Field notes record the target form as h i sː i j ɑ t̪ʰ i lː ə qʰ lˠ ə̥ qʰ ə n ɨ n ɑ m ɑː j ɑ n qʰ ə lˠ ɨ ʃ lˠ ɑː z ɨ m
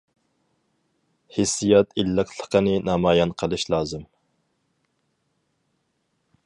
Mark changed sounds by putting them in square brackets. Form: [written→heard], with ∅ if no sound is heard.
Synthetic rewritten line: h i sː i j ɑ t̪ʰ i lː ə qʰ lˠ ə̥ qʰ ə n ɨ n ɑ m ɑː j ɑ n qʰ ə lˠ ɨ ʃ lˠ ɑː z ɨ m